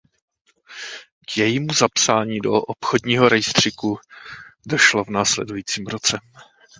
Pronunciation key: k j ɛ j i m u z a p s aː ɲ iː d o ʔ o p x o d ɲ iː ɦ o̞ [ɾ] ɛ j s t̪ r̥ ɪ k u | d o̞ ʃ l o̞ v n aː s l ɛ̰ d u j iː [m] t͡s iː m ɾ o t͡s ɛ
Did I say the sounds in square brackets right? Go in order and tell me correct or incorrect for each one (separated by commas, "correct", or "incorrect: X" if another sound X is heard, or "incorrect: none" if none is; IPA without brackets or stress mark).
correct, incorrect: none